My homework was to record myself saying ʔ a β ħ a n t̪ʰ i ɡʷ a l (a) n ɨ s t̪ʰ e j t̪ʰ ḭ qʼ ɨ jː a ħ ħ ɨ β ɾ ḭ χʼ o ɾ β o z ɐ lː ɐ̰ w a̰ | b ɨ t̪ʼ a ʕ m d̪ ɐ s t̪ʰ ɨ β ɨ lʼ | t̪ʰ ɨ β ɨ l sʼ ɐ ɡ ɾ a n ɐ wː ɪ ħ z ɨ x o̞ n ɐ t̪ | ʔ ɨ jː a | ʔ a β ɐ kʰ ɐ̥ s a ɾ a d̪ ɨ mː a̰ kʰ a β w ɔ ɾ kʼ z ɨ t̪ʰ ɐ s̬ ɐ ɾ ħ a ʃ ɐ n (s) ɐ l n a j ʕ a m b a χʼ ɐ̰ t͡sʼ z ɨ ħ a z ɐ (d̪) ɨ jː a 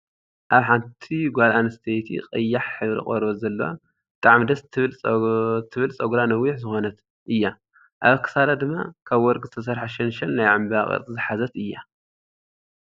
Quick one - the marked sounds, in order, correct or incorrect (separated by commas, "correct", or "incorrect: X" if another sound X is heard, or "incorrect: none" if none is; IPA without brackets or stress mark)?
correct, incorrect: ʃ, incorrect: t̪